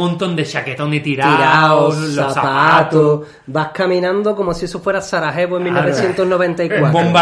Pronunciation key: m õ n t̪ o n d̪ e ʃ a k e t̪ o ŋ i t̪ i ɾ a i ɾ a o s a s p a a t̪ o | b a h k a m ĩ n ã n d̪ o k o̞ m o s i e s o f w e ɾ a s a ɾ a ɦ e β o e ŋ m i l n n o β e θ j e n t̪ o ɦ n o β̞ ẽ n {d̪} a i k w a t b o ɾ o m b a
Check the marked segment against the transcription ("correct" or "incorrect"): incorrect